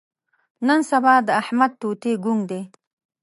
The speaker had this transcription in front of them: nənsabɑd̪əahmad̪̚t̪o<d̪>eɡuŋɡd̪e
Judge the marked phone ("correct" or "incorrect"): incorrect